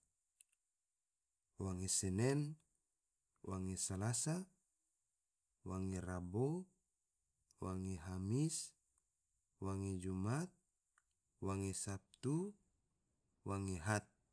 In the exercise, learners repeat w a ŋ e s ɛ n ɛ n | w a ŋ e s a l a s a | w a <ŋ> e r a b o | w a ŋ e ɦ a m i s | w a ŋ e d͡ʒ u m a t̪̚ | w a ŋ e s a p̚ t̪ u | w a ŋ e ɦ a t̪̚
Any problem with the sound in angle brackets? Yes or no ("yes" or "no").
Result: no